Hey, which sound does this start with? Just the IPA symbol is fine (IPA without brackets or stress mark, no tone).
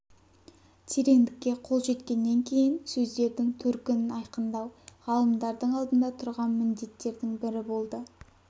t̪ʰ